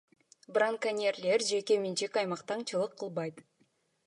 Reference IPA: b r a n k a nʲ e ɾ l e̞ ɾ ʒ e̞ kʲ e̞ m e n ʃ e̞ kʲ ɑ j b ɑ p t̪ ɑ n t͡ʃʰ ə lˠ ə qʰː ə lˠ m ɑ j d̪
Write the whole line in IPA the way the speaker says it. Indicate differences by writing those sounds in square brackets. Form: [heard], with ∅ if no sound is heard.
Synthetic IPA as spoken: b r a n k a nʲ e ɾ l e̞ ɾ ʒ e̞ kʲ e̞ m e n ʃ e̞ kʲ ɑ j [m] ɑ [q] t̪ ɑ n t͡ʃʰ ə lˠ ə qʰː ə lˠ [b] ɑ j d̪

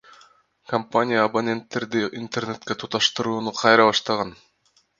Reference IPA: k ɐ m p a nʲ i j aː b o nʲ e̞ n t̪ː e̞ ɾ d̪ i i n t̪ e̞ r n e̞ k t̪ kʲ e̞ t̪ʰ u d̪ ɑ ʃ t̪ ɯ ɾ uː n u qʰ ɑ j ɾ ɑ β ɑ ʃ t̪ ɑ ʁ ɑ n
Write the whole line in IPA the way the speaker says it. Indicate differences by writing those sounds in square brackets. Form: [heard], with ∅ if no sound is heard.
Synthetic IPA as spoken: k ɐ m p a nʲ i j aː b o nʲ e̞ n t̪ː e̞ ɾ d̪ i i n t̪ e̞ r n e̞ [∅] t̪ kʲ e̞ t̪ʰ u [t̪] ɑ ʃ t̪ ɯ ɾ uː n u qʰ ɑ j ɾ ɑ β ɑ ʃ t̪ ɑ ʁ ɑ n

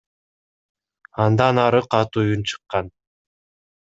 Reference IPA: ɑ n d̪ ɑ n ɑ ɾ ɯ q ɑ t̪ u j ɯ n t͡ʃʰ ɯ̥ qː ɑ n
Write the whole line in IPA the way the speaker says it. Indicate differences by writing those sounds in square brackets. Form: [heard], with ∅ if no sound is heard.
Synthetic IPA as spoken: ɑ n d̪ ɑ n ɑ ɾ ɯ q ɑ t̪ u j [u] n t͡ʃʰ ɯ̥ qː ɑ n

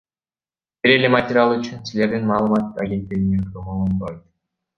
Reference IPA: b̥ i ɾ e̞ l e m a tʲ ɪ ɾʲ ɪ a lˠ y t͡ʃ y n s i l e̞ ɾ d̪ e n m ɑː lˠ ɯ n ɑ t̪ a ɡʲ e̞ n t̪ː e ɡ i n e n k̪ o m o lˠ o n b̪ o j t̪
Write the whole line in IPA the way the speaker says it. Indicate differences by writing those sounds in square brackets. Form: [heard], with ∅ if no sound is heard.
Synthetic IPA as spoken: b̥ i ɾ e̞ l e m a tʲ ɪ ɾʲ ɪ a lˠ y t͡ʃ y n s i l e̞ ɾ d̪ [i] n m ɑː lˠ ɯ [m] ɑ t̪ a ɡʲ e̞ n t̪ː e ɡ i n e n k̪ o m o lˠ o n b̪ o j t̪

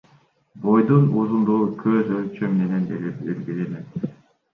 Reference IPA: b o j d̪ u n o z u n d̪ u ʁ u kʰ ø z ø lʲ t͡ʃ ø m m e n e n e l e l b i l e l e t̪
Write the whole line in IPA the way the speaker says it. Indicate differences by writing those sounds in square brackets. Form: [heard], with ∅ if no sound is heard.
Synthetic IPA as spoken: b o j d̪ u n [u] z u n d̪ u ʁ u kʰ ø z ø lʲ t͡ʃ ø m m e n e n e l e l [ɡ] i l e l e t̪

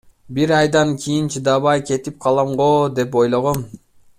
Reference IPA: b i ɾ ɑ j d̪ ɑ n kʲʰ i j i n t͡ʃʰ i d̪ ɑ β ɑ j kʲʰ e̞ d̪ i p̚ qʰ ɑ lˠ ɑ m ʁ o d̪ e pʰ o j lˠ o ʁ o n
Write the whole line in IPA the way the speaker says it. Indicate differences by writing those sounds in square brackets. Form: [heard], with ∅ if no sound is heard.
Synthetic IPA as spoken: b i ɾ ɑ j d̪ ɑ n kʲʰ i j i n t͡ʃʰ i d̪ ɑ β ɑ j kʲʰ e̞ [t̪] i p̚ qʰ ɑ lˠ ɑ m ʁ o d̪ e [p] o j lˠ o ʁ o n

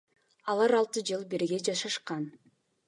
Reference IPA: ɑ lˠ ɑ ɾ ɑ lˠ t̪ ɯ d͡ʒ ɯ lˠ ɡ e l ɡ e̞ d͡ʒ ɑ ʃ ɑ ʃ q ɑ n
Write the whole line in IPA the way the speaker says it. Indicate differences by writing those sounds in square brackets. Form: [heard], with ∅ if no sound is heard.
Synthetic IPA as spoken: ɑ lˠ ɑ ɾ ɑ lˠ t̪ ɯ d͡ʒ ɯ lˠ [b] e [ɾ] ɡ e̞ d͡ʒ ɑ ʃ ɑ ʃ q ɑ n

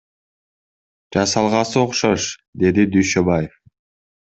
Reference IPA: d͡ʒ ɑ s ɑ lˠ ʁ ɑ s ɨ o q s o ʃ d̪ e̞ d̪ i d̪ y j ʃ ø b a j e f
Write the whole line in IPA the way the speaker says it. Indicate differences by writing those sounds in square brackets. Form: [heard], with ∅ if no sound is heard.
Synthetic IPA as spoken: d͡ʒ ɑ s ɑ lˠ ʁ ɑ s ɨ o q [ʃ] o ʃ d̪ e̞ d̪ i d̪ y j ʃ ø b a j e f

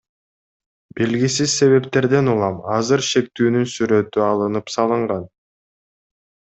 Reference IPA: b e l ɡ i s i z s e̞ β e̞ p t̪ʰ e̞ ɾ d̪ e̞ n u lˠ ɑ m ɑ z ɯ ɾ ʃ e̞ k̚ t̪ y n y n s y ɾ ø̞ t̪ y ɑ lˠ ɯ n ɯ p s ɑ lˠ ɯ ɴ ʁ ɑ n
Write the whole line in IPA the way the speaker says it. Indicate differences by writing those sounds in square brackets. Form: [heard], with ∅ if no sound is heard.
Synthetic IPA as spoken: b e l ɡ i s i z s e̞ β e̞ p [t̪] e̞ ɾ d̪ e̞ n u lˠ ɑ m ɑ z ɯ ɾ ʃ e̞ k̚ t̪ [yː] n y n s y ɾ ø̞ t̪ y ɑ lˠ ɯ n ɯ p s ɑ lˠ ɯ ɴ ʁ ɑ n

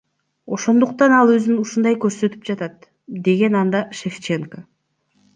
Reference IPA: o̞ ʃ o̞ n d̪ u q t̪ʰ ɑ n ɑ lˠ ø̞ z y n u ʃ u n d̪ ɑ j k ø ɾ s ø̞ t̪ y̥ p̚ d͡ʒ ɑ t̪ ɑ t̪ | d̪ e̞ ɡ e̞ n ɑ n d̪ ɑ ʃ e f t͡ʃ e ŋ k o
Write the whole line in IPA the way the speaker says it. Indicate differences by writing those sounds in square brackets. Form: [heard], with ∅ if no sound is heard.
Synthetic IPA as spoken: o̞ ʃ o̞ n d̪ u q [t̪] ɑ n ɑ lˠ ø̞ z y n u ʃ u n d̪ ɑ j k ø ɾ s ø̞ t̪ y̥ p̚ d͡ʒ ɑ t̪ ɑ t̪ | d̪ e̞ ɡ e̞ n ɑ n d̪ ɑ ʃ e f t͡ʃ e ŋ k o

